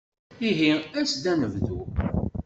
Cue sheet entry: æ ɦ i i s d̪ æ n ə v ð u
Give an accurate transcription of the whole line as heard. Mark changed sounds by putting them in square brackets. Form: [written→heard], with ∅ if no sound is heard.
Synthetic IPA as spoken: [æ→i] ɦ i [i→æ] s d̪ æ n ə v ð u